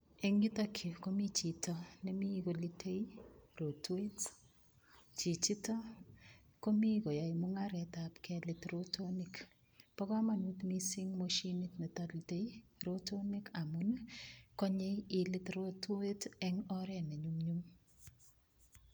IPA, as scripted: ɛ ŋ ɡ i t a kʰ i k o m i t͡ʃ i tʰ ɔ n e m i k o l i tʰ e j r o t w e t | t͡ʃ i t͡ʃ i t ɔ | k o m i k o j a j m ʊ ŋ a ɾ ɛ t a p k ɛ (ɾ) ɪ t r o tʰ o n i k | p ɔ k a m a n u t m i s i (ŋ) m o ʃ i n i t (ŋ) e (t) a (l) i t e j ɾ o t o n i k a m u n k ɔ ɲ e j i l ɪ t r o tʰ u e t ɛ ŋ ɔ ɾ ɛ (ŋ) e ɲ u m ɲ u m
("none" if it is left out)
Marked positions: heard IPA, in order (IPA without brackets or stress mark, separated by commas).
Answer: l, ŋ, n, t, l, n